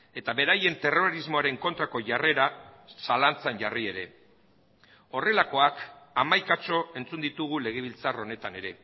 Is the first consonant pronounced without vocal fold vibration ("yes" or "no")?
yes